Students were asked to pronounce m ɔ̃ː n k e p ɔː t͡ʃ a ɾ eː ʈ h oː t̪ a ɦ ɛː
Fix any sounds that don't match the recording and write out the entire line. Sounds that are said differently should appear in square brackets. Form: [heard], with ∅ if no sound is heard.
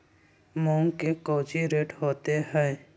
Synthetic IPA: m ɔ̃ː [ŋ] k e [k] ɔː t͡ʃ [i] ɾ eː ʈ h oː t̪ [e] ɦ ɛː